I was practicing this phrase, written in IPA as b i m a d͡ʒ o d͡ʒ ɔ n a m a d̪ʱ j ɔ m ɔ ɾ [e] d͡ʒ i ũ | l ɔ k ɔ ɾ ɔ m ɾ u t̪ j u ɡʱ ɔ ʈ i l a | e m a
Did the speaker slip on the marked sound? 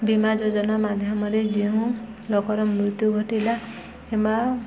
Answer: no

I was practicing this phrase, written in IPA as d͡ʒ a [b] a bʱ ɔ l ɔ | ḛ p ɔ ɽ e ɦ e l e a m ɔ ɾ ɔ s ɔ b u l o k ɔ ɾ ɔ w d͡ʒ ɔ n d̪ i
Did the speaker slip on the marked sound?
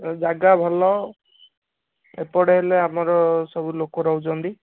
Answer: yes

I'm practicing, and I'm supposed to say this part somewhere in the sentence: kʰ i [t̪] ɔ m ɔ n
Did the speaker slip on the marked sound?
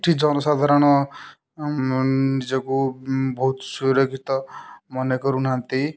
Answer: no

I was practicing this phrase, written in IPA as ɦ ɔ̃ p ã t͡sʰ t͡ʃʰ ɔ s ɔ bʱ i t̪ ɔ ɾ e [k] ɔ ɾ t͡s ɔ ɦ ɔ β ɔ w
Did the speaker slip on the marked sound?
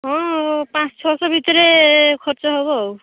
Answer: yes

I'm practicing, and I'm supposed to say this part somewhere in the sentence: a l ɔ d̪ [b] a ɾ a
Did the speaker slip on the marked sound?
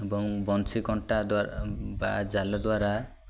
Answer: yes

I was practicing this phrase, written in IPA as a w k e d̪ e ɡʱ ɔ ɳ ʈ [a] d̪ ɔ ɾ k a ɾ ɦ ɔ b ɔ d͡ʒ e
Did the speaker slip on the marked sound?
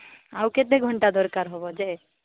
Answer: no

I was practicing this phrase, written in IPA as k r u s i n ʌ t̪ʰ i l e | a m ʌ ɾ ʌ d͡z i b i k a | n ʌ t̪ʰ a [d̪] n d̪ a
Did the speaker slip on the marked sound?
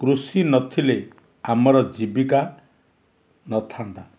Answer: yes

